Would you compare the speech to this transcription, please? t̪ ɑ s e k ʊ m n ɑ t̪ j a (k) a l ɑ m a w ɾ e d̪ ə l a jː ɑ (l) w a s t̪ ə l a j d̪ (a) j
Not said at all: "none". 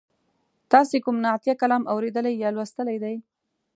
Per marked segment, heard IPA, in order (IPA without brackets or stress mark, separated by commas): k, l, a